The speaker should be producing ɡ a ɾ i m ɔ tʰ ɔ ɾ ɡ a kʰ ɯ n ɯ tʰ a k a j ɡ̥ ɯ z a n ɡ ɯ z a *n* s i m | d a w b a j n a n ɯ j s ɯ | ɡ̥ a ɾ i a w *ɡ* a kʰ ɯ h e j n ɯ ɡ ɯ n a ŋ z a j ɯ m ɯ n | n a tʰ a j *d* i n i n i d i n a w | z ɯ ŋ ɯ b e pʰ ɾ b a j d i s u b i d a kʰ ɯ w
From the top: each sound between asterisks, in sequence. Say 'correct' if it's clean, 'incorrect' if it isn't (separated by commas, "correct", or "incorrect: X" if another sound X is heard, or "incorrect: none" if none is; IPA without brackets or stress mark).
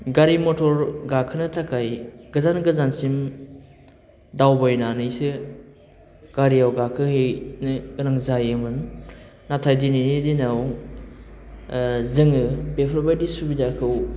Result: correct, correct, correct